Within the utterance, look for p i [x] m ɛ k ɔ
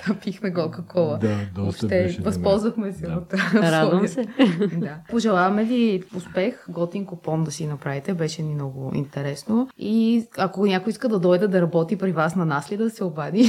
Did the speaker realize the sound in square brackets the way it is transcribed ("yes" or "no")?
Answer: yes